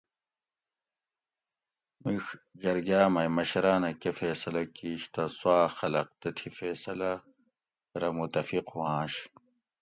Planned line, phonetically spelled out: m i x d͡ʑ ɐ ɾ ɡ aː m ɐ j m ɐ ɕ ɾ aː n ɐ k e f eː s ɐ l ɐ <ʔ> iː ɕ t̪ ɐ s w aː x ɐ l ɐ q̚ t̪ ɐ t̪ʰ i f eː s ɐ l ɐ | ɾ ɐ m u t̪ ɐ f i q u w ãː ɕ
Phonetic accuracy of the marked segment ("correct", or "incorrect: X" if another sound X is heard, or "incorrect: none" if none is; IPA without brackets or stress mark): incorrect: k